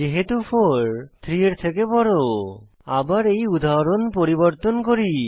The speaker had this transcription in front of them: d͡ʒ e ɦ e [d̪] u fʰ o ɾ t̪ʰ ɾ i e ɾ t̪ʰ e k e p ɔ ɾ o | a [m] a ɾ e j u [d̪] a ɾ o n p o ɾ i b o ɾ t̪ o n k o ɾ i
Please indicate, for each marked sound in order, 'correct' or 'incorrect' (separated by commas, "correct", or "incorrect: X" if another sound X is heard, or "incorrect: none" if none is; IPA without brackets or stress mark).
incorrect: t̪, incorrect: b, correct